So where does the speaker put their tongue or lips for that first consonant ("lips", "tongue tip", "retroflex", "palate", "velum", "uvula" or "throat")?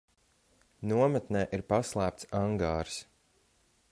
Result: tongue tip